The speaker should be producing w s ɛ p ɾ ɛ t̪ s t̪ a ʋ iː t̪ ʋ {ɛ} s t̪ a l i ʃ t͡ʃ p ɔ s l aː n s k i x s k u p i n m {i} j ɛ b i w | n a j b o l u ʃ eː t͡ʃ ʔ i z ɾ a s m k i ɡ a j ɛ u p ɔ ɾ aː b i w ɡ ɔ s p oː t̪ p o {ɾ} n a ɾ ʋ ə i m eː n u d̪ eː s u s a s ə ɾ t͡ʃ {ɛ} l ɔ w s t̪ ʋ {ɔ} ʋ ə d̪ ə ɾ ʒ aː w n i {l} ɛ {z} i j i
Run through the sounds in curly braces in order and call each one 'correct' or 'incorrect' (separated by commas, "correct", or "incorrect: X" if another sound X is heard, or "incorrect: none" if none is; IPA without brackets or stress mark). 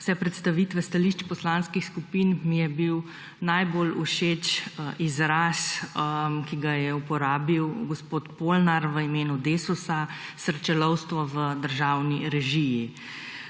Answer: correct, correct, incorrect: l, correct, correct, incorrect: ɾ, incorrect: ʒ